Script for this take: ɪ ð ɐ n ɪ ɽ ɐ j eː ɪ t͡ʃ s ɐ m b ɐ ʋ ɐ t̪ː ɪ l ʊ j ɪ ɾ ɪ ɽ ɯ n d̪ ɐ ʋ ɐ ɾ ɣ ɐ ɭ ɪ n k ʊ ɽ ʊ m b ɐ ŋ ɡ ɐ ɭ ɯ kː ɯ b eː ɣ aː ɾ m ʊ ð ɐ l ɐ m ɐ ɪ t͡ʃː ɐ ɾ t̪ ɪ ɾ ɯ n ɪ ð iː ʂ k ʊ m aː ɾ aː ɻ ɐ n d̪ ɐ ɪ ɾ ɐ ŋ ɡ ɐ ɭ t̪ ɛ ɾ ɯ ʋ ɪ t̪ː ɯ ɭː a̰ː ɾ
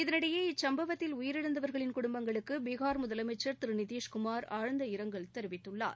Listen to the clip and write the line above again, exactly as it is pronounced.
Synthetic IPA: ɪ ð ɐ n ɪ ɽ ɐ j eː ɪ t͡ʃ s ɐ m b ɐ ʋ ɐ t̪ː ɪ l ʊ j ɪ ɾ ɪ ɽ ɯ n d̪ ɐ ʋ ɐ ɾ ɣ ɐ ɭ ɪ n k ʊ ɽ ʊ m b ɐ ŋ ɡ ɐ ɭ ɯ kː ɯ b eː ɣ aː ɾ m ʊ ð ɐ l ɐ m ɐ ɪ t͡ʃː ɐ ɾ t̪ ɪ ɾ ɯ n ɪ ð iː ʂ k ʊ m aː ɾ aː ɻ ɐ n d̪ ɐ ɪ ɾ ɐ ŋ ɡ ɐ ɭ t̪ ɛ ɾ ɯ ʋ ɪ t̪ː ɯ ɭː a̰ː ɾ

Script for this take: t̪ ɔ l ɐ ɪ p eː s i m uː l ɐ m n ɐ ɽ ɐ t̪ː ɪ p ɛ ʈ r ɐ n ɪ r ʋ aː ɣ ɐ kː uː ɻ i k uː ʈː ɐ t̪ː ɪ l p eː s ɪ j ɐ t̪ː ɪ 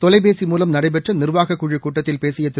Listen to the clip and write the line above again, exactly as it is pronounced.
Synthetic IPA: t̪ ɔ l ɐ ɪ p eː s i m uː l ɐ m n ɐ ɽ ɐ ɪ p ɛ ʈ r ɐ n ɪ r ʋ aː ɣ ɐ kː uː ɻ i k uː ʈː ɐ t̪ː ɪ l p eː s ɪ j ɐ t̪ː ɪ

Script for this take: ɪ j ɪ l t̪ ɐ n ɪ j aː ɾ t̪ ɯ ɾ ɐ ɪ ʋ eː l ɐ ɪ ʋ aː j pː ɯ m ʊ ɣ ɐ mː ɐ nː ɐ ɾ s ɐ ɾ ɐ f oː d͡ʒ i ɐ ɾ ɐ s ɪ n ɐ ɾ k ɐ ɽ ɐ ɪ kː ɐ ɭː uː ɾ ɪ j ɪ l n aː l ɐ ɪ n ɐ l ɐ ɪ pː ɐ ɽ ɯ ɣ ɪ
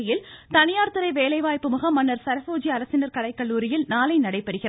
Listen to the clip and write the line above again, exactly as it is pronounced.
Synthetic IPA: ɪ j ɪ l t̪ ɐ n ɪ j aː ɾ t̪ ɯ ɾ ɐ ɪ ʋ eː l ɐ ɪ ʋ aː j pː ɯ m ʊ ɣ ɐ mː ɐ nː ɐ ɾ s ɐ ɾ ɐ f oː d͡ʒ i ɐ ɾ ɐ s ɪ n ɐ ɾ k ɐ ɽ ɐ ɪ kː ɐ ɭː uː ɾ ɪ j ɪ l n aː l ɐ ɪ n ɐ ɽ ɐ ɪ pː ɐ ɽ ɯ ɣ ɪ

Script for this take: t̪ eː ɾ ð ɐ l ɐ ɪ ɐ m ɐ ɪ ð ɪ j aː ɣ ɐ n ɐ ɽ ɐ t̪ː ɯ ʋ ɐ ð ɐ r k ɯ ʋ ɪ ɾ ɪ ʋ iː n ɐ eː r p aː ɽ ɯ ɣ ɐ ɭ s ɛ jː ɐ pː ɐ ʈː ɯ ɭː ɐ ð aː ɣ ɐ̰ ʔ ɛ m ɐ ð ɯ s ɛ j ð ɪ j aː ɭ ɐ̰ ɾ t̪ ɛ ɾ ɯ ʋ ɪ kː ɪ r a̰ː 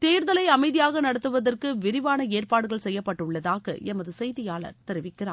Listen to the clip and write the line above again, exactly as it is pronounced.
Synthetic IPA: t̪ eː ɾ ð ɐ l ɐ ɪ ɐ m ɐ ɪ ð ɪ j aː ɣ ɐ n ɐ ɽ ɐ t̪ː ɯ ʋ ɐ ð ɐ r k ɯ ʋ ɪ ɾ ɪ ʋ aː n ɐ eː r p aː ɽ ɯ ɣ ɐ ɭ s ɛ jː ɐ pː ɐ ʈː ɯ ɭː ɐ ð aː ɣ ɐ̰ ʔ ɛ m ɐ ð ɯ s ɛ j ð ɪ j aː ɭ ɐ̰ ɾ t̪ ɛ ɾ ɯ ʋ ɪ kː ɪ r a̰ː

